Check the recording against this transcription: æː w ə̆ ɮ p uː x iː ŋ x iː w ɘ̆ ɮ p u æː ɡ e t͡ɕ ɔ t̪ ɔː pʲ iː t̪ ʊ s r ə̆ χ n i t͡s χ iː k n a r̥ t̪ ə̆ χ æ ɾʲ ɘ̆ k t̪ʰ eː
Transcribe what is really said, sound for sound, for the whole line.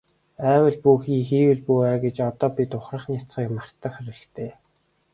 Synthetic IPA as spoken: æː w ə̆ ɮ p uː x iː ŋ x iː w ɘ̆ ɮ p u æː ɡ e t͡ɕ ɔ t̪ ɔː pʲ i t̪ ʊ χ r ə̆ χ n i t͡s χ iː k m a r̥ t̪ ə̆ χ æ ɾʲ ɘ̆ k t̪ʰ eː